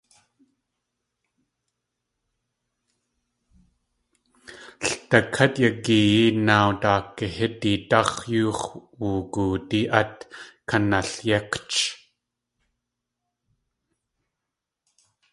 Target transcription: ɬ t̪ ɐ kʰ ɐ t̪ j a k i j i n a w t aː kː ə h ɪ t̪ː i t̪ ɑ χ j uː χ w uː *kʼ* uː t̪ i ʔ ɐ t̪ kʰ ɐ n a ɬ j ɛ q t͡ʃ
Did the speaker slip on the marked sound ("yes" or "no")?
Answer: yes